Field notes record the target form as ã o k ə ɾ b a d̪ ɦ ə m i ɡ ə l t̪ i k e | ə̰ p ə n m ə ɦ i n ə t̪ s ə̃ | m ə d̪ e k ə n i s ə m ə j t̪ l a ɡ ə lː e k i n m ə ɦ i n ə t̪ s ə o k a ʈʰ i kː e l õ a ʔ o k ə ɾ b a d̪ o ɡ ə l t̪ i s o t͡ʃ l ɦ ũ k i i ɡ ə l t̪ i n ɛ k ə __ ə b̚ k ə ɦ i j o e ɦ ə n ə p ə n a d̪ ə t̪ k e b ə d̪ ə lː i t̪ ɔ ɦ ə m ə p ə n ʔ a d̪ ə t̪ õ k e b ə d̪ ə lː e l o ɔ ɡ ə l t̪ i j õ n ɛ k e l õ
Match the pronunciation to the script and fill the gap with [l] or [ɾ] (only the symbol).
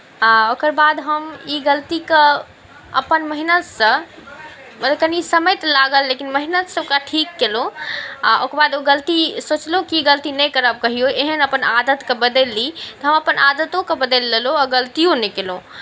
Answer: ɾ